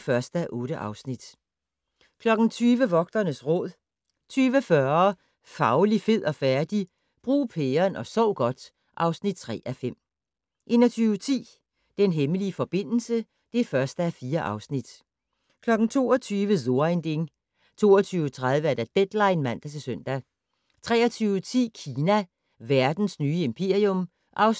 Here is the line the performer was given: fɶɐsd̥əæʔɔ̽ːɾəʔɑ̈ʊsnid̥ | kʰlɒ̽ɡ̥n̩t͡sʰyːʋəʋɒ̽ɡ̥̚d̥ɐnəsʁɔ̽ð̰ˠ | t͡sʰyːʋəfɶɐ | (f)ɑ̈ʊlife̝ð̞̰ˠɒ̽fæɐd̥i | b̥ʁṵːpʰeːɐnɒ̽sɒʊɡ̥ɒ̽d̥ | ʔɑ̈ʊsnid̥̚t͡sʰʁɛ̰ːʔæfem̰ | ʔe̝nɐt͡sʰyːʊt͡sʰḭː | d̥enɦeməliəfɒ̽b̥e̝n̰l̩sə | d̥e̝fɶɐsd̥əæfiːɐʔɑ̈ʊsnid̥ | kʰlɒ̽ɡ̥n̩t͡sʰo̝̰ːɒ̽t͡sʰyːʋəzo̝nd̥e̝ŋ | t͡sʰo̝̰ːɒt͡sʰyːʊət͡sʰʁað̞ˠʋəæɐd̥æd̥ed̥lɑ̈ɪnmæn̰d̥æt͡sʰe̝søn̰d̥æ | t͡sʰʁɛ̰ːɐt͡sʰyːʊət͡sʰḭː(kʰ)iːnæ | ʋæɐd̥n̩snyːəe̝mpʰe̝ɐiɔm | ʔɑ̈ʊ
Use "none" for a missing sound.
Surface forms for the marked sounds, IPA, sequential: f, kʰ

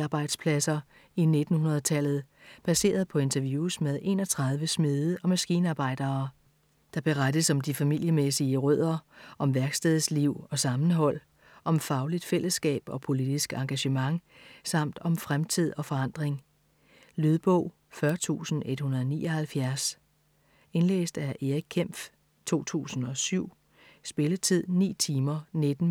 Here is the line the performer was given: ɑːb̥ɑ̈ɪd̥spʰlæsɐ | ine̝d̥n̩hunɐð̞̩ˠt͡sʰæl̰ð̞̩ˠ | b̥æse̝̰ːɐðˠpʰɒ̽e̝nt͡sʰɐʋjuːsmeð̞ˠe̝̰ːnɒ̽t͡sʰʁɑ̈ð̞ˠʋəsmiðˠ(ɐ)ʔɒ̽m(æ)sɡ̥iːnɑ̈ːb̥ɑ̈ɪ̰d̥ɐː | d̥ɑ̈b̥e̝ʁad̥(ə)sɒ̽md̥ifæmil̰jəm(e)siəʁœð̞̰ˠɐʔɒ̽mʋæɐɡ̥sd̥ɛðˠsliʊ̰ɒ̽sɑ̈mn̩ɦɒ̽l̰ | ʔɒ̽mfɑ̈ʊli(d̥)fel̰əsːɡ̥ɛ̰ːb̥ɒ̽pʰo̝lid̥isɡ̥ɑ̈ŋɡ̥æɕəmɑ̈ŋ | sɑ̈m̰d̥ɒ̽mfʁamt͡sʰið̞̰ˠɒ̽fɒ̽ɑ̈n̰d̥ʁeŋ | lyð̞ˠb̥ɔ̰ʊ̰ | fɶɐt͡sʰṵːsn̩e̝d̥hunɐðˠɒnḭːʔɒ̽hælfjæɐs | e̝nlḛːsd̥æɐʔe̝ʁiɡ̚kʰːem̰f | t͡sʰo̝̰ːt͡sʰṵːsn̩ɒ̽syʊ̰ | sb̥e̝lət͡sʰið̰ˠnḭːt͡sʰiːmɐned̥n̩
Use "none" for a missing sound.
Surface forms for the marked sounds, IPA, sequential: ə, æ, ə, e, d̥

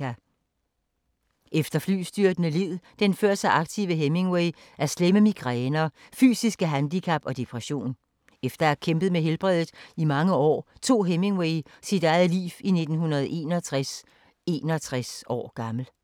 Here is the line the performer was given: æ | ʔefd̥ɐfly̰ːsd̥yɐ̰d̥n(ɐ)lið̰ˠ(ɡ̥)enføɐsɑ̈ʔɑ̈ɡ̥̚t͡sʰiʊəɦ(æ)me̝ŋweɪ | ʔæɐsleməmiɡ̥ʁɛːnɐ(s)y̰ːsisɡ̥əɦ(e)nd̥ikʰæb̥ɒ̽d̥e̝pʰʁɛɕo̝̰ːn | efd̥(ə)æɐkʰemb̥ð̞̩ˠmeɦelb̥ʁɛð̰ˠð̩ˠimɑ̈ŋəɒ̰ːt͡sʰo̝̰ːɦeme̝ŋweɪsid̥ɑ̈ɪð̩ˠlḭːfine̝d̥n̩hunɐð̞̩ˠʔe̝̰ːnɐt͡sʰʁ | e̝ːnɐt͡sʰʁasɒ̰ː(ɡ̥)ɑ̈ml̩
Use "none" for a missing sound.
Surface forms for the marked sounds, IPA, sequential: ə, d̥, e, f, æ, ɐ, ɡ̥

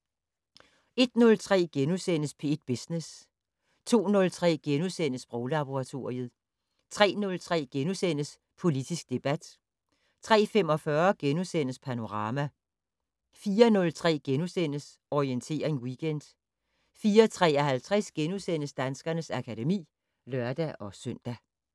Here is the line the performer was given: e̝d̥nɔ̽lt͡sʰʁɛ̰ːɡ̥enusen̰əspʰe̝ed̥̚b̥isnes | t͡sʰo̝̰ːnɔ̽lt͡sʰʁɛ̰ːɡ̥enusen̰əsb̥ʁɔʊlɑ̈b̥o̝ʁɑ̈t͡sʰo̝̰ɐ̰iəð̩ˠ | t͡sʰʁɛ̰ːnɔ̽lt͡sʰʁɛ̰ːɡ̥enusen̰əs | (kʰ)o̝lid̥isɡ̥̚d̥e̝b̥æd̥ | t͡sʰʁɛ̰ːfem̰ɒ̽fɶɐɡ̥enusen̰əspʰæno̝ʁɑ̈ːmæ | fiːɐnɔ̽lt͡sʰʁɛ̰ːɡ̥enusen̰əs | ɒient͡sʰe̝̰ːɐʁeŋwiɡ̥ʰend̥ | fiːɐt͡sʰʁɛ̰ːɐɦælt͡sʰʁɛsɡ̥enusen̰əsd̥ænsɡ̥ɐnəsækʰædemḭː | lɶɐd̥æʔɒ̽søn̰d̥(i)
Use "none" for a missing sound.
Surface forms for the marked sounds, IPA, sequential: pʰ, æ

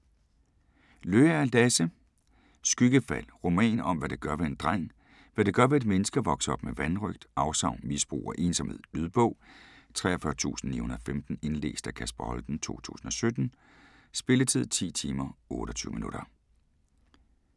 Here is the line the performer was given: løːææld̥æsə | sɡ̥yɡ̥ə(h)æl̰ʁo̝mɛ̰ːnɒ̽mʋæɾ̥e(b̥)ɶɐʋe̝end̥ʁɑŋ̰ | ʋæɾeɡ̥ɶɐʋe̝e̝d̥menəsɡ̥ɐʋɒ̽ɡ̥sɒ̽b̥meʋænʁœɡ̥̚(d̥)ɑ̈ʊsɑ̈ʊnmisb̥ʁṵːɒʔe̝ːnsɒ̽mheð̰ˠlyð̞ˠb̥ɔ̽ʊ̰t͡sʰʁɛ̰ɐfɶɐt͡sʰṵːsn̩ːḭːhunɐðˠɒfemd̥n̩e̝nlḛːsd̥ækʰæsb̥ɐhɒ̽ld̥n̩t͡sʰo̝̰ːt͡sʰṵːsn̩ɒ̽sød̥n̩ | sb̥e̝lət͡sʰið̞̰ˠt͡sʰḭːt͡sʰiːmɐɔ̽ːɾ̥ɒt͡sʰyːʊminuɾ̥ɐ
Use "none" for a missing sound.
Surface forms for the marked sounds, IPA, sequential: f, ɡ̥, d̥

